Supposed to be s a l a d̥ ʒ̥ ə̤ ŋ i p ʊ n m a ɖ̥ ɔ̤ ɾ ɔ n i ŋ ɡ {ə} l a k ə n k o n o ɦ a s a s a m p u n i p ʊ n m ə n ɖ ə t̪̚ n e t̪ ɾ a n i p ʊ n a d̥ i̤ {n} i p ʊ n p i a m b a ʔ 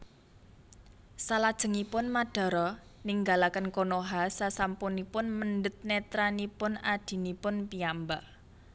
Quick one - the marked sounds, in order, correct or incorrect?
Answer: incorrect: a, correct

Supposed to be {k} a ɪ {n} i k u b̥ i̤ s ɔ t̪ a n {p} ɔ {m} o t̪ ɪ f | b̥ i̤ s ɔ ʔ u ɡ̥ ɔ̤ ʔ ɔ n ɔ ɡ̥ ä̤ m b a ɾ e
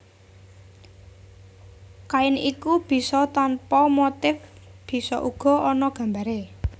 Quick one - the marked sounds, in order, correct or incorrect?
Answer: correct, correct, correct, correct

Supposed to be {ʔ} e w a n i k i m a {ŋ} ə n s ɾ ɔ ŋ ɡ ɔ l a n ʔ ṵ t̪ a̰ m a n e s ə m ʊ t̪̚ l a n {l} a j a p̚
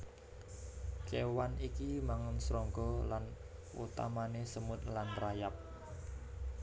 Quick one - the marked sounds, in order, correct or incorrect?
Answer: incorrect: k, correct, incorrect: r

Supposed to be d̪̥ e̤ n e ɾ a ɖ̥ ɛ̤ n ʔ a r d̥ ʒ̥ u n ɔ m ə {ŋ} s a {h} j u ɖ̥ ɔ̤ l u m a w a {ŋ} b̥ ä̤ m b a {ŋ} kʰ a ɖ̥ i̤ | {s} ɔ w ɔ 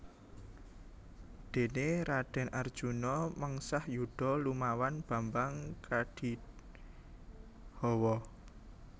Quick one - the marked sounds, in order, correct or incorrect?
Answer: correct, correct, incorrect: n, correct, incorrect: h

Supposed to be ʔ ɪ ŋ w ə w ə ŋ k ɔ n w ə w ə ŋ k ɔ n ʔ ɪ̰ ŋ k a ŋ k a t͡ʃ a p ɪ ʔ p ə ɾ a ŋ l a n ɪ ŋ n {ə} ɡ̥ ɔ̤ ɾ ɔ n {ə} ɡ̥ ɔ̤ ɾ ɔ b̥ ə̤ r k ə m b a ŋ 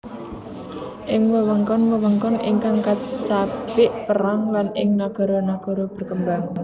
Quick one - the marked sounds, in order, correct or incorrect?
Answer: incorrect: a, incorrect: a

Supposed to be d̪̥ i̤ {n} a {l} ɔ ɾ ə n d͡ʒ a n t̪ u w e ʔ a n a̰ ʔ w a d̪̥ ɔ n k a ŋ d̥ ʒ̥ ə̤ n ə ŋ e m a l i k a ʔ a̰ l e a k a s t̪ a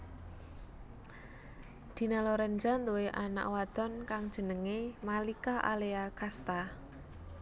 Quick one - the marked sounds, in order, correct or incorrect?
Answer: correct, correct

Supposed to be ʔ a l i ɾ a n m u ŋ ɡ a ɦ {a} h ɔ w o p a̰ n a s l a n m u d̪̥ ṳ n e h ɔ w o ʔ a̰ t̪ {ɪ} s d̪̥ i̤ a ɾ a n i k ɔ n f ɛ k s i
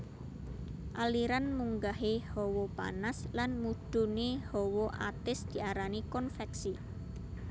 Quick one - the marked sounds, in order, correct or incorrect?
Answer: incorrect: e, correct

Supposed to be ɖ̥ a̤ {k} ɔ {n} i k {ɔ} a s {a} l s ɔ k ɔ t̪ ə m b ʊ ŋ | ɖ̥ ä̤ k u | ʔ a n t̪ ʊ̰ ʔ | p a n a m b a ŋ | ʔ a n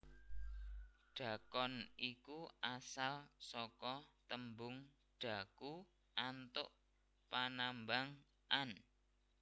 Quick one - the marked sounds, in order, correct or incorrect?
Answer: correct, correct, incorrect: u, correct

